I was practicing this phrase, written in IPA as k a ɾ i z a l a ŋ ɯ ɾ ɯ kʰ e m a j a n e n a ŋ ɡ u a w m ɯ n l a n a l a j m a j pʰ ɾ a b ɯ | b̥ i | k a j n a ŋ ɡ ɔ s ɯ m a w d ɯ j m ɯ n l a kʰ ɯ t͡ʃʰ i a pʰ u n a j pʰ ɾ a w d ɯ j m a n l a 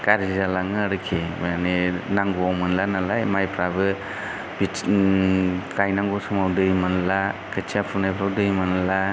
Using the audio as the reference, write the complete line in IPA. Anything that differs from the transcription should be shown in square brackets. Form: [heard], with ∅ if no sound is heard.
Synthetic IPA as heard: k a ɾ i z a l a ŋ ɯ ɾ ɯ kʰ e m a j a n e n a ŋ ɡ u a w m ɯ n l a n a l a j m a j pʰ ɾ a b ɯ | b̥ i | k a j n a ŋ ɡ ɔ s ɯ m a w d ɯ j m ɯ n l a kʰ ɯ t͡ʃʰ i a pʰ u n a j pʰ ɾ a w d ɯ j m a n l a

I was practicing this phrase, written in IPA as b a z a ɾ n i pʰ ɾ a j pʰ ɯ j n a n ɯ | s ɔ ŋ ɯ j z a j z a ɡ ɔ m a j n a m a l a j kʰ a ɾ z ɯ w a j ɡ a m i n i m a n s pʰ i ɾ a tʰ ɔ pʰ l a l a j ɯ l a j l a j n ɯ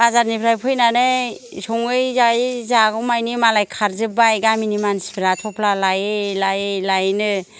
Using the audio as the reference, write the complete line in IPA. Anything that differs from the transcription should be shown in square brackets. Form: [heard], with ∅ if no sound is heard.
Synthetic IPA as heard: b a z a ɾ n i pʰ ɾ a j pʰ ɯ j n a n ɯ | s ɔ ŋ ɯ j z a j z a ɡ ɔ m a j n [i] m a l a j kʰ a ɾ z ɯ [b] a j ɡ a m i n i m a n s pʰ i ɾ a tʰ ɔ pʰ l a l a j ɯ l a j l a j n ɯ

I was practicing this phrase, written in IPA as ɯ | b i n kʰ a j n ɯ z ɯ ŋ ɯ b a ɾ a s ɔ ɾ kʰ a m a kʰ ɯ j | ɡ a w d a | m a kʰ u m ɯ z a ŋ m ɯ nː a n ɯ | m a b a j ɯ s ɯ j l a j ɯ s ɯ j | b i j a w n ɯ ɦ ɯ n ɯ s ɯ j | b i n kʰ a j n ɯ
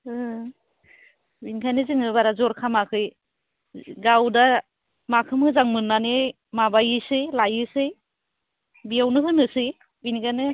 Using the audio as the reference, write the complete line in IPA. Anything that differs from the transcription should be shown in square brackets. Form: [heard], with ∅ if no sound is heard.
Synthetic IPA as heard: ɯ | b i n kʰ a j n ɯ z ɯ ŋ ɯ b a ɾ a [z] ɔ ɾ kʰ a m a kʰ ɯ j | ɡ a w d a | m a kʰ [ɯ] m ɯ z a ŋ m ɯ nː a n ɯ | m a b a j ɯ s ɯ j l a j ɯ s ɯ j | b i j a w n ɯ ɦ ɯ n ɯ s ɯ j | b i n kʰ a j n ɯ

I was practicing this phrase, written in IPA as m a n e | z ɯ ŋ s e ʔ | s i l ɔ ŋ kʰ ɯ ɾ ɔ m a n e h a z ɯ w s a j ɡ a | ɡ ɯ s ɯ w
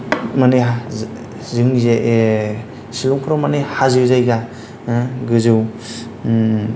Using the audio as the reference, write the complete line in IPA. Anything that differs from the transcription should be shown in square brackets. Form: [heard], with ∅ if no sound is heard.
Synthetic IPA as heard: m a n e | z ɯ ŋ [z] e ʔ | s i l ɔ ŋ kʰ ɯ ɾ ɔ m a n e h a z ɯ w [z] a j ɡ a | ɡ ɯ [z] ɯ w

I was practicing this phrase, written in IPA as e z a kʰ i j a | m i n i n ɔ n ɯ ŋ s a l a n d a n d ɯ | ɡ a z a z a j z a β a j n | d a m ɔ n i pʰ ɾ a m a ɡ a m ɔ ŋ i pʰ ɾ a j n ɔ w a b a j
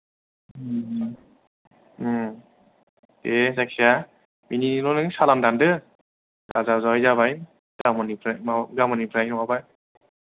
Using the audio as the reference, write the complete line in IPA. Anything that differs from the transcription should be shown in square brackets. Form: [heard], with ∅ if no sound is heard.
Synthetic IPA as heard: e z a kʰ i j a | m i n i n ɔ n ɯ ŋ s a l a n d a n d ɯ | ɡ a z a z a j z a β a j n | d a m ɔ n i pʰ ɾ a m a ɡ a m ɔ [n] i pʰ ɾ a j n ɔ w a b a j

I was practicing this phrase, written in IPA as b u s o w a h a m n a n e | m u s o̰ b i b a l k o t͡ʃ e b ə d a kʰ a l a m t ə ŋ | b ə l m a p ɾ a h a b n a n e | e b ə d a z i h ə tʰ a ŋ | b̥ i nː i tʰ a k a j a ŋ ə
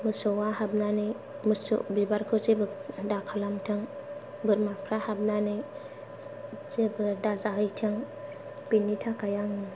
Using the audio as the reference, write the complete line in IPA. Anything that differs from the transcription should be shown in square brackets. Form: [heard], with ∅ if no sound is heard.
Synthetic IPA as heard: [m] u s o w a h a [b] n a n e | m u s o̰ b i b a [ɾ] k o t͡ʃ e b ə d a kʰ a l a m t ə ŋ | b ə [ɾ] m a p ɾ a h a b n a n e | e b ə d a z [a] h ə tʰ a ŋ | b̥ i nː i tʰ a k a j a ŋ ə

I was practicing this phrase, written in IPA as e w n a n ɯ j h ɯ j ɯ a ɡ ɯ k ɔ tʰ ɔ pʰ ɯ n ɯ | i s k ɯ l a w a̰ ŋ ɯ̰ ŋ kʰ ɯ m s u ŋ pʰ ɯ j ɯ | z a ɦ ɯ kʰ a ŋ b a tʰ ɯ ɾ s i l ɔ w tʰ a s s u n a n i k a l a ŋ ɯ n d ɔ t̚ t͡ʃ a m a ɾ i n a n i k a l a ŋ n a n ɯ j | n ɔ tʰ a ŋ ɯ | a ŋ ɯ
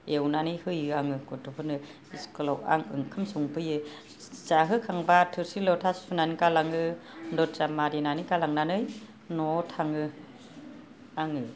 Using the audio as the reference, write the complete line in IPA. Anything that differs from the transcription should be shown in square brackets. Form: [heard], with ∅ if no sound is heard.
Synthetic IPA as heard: e w n a n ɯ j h ɯ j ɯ a [ŋ] ɯ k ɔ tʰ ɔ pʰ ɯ n ɯ | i s k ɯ l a w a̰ ŋ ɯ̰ ŋ kʰ ɯ m s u ŋ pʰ ɯ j ɯ | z a ɦ ɯ kʰ a ŋ b a tʰ ɯ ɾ s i l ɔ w tʰ a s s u n a n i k a l a ŋ ɯ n d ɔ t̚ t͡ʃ a m a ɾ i n a n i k a l a ŋ n a n ɯ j | n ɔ tʰ a ŋ ɯ | a ŋ ɯ

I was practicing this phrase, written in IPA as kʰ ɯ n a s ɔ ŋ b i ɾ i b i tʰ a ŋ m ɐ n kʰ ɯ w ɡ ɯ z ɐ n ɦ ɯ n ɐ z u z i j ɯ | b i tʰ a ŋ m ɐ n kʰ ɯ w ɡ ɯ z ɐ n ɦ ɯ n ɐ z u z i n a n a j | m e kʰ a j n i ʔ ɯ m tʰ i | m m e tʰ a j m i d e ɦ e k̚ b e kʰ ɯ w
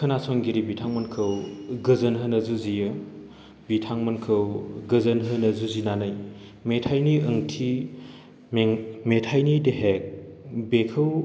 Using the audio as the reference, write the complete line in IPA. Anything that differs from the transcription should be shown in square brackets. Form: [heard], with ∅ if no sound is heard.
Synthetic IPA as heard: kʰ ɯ n a s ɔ ŋ [ɡ] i ɾ i b i tʰ a ŋ m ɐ n kʰ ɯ w ɡ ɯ z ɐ n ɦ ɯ n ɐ z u z i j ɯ | b i tʰ a ŋ m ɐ n kʰ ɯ w ɡ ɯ z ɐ n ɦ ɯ n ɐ z u z i n a n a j | m e [tʰ] a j n i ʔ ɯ [ŋ] tʰ i | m m e tʰ a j [n] i d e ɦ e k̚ b e kʰ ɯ w

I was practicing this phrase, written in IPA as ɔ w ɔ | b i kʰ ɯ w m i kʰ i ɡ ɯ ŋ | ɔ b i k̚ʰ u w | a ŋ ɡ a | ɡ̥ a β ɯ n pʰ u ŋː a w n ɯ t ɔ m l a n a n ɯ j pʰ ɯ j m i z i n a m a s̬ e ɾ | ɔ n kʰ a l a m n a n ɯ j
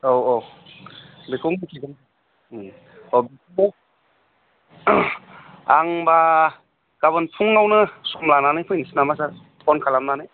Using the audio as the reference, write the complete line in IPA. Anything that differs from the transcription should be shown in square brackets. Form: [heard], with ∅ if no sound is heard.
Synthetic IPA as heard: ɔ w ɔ | b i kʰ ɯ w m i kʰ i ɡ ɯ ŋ | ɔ b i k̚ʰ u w | a ŋ [b] a | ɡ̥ a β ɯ n pʰ u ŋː a w n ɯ [s] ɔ m l a n a n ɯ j pʰ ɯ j [n] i [s] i n a m a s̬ [a] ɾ | ɔ n kʰ a l a m n a n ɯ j

